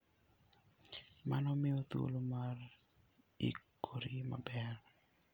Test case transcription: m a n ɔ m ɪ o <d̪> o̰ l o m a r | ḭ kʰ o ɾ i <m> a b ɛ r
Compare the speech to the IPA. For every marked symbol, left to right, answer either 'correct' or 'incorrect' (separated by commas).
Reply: incorrect, correct